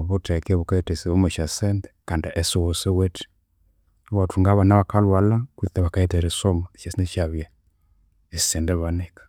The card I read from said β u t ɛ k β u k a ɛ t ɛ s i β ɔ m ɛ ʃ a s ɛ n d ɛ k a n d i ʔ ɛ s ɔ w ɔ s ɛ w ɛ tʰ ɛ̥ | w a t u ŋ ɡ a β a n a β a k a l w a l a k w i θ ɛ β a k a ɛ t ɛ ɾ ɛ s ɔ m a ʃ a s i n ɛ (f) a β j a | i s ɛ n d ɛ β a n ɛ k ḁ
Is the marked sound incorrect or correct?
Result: incorrect